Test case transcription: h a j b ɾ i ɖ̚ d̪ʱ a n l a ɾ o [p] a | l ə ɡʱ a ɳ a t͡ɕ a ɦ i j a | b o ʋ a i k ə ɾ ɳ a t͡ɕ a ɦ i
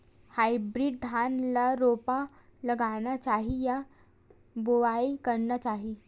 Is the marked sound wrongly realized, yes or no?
no